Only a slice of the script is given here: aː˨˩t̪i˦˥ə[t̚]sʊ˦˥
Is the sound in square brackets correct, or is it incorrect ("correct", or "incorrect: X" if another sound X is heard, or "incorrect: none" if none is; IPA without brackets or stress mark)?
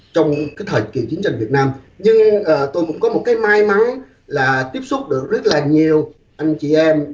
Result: incorrect: p̚